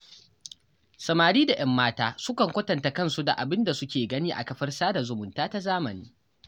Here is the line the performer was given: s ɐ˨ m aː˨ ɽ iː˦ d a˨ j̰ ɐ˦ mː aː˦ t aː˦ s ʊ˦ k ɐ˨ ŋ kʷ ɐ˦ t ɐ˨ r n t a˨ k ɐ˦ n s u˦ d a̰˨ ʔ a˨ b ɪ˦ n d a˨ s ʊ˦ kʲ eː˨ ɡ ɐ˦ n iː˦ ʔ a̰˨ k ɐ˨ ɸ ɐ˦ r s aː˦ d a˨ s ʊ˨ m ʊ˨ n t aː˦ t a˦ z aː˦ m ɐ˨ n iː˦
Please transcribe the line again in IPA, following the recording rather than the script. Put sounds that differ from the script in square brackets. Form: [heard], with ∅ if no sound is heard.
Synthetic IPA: s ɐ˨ m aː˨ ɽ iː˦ d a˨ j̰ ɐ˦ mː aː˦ t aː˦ s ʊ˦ k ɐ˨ ŋ kʷ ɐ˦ t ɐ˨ [∅] n t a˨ k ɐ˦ n s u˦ d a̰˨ ʔ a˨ b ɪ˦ n d a˨ s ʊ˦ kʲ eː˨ ɡ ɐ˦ n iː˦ ʔ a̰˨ k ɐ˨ ɸ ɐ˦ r s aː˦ d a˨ [z] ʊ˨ m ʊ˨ n t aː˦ t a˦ z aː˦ m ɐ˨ n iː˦

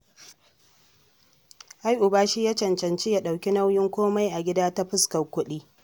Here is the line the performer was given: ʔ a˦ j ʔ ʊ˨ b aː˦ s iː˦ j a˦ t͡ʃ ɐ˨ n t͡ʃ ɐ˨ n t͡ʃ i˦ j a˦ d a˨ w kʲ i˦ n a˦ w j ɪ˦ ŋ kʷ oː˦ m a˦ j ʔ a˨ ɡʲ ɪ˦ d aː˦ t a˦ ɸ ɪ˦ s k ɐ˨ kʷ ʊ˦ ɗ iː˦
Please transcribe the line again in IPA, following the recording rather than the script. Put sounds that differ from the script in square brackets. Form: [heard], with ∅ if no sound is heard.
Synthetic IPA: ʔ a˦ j ʔ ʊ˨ b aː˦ [ʃ] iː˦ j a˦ t͡ʃ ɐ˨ n t͡ʃ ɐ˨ n t͡ʃ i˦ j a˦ [ɗ] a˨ w kʲ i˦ n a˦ w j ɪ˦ ŋ kʷ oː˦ m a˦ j ʔ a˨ ɡʲ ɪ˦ d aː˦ t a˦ ɸ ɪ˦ s k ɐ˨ kʷ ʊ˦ ɗ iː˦

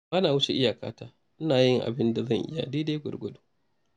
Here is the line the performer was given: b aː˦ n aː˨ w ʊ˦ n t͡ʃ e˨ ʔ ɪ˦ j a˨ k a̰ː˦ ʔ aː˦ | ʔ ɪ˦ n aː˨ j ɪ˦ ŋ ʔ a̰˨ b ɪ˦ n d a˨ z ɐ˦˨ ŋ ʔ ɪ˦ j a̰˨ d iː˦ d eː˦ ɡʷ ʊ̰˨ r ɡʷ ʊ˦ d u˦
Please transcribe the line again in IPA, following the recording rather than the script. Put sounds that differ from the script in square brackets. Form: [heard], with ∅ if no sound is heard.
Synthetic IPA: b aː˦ n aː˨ w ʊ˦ [∅] t͡ʃ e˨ ʔ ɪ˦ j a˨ k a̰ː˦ [t] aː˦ | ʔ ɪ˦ n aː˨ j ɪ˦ ŋ ʔ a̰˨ b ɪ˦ n d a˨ z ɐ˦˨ ŋ ʔ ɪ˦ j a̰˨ d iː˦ d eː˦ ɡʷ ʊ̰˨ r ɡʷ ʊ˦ d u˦

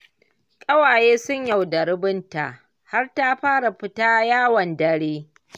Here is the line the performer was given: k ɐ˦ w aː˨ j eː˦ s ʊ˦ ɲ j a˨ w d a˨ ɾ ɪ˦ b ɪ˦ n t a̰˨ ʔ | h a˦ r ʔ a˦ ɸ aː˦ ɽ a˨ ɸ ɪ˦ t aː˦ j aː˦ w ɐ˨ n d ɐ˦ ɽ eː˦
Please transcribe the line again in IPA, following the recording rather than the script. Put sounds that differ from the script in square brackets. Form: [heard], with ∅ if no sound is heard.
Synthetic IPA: [kʼ] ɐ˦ w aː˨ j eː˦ s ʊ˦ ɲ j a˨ w d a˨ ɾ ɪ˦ b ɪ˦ n t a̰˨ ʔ | h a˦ r [t] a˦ ɸ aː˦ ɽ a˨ ɸ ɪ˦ t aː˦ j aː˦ w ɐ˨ n d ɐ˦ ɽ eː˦

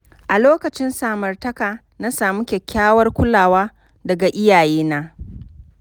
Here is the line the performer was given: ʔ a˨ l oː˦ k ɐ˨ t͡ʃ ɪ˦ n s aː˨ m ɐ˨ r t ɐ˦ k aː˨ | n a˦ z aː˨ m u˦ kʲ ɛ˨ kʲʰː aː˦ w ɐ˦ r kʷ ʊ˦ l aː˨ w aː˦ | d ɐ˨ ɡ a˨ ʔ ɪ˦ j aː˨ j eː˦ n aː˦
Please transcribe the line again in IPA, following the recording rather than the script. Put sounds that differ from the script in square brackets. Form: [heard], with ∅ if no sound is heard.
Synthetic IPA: ʔ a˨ l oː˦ k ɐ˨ t͡ʃ ɪ˦ n s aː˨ m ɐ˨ r t ɐ˦ k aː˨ | n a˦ [s] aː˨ m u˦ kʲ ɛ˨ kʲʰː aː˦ w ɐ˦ r kʷ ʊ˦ l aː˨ w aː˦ | d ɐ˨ ɡ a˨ ʔ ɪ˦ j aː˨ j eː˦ n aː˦

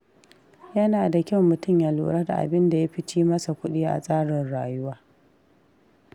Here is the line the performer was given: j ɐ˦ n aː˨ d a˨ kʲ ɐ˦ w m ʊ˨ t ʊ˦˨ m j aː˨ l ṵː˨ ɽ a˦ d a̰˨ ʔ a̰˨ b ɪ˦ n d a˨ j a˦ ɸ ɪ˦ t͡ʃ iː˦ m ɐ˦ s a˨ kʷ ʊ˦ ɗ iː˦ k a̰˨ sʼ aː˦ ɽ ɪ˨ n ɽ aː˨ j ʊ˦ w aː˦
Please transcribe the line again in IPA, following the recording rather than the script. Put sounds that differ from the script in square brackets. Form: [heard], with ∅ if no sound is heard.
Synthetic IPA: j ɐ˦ n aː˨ d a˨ kʲ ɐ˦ w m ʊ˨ t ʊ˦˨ m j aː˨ l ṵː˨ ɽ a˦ d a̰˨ ʔ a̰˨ b ɪ˦ n d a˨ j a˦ ɸ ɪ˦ t͡ʃ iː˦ m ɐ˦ s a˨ kʷ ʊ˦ ɗ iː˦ [ʔ] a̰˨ sʼ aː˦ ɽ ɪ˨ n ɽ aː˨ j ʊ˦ w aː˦

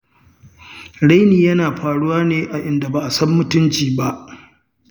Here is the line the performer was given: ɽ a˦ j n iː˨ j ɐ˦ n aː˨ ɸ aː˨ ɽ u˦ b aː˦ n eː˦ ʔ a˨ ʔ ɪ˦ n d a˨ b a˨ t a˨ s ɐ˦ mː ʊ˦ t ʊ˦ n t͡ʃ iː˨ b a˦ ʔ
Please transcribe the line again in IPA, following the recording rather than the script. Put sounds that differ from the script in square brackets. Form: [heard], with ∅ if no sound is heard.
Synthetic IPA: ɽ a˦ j n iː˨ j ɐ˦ n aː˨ ɸ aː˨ ɽ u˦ [w] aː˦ n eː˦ ʔ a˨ ʔ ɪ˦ n d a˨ b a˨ [ʔ] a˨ s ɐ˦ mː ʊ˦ t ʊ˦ n t͡ʃ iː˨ b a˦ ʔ

